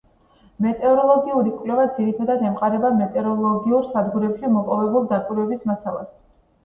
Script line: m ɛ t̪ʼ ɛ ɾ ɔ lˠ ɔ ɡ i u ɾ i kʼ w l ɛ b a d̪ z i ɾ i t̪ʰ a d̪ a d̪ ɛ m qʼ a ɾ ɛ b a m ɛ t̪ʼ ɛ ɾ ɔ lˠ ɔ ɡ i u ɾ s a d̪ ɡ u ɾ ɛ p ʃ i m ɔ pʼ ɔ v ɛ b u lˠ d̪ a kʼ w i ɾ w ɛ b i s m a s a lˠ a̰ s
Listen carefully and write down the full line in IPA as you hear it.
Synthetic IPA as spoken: m ɛ t̪ʼ ɛ ɾ ɔ lˠ ɔ ɡ i u ɾ i kʼ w l ɛ v a d̪ z i ɾ i t̪ʰ a d̪ a d̪ ɛ m qʼ a ɾ ɛ b a m ɛ t̪ʼ ɛ ɾ ɔ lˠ ɔ ɡ i u ɾ s a d̪ ɡ u ɾ ɛ p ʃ i m ɔ pʼ ɔ v ɛ b u lˠ d̪ a kʼ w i ɾ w ɛ b i s m a s a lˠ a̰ s